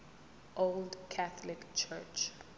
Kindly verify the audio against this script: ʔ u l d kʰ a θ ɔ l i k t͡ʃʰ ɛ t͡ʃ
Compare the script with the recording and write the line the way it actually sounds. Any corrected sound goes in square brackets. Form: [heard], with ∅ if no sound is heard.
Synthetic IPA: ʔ [o] l d kʰ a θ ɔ l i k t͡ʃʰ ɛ t͡ʃ